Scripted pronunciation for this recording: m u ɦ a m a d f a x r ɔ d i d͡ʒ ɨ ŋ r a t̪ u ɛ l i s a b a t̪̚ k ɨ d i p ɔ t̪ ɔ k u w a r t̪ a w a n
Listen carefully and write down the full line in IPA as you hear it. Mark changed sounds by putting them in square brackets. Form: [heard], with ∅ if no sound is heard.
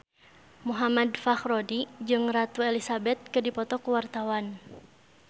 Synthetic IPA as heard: m u ɦ a m a d f a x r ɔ d i d͡ʒ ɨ ŋ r a t̪ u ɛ l i s a b [ɛ] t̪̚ k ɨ d i p ɔ t̪ ɔ k u w a r t̪ a w a n